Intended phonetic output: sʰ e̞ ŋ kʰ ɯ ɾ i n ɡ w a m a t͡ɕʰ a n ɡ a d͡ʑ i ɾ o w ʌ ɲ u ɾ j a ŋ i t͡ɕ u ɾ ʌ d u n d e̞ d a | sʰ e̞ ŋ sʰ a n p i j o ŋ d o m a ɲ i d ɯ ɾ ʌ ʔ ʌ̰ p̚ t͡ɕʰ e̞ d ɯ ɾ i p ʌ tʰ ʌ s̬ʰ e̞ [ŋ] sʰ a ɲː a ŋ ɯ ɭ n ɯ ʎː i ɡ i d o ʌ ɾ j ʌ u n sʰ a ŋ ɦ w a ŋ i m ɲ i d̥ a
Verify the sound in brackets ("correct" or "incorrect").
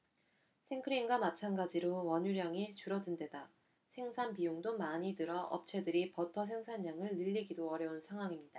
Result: correct